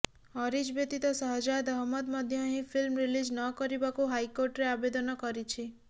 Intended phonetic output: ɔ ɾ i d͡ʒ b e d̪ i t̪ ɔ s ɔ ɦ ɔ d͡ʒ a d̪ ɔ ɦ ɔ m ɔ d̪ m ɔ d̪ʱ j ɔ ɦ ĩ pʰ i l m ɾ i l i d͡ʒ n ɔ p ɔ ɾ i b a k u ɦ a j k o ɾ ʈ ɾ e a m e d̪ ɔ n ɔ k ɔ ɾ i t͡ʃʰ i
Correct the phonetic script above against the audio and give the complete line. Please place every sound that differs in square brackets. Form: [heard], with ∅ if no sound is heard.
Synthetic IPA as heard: ɔ ɾ i d͡ʒ b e [t̪] i t̪ ɔ s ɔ ɦ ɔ d͡ʒ a d̪ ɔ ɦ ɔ m ɔ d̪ m ɔ d̪ʱ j ɔ ɦ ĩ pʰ i l m ɾ i l i d͡ʒ n ɔ [k] ɔ ɾ i b a k u ɦ a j k o ɾ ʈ ɾ e a [b] e d̪ ɔ n ɔ k ɔ ɾ i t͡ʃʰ i